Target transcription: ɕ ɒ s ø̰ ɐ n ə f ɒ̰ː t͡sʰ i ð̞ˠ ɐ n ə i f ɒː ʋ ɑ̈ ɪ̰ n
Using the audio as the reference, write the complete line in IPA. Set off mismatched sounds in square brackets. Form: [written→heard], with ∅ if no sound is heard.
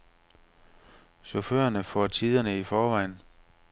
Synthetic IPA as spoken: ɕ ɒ [s→f] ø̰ ɐ n ə f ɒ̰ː t͡sʰ i ð̞ˠ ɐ n ə i f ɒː ʋ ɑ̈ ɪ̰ n